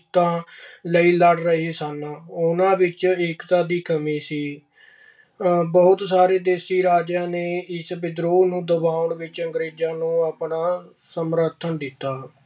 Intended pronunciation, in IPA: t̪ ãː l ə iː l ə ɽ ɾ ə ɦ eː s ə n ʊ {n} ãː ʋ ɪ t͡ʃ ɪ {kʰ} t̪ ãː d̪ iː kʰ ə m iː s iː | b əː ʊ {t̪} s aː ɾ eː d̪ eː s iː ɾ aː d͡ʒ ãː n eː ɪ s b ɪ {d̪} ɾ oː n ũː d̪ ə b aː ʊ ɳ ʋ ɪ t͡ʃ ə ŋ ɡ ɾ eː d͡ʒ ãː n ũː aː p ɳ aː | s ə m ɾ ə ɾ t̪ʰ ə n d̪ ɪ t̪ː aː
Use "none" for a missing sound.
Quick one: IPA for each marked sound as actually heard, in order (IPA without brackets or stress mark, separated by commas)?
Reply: n, k, t̪, d̪